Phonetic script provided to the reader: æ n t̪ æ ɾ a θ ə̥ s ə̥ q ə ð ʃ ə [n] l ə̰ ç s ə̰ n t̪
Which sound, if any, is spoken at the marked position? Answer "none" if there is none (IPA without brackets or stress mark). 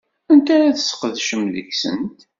m